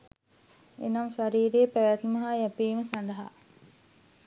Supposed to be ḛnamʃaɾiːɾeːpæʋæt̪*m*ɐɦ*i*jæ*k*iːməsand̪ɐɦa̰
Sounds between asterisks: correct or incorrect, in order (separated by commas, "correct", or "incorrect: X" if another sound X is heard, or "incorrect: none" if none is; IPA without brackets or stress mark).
correct, incorrect: a, incorrect: p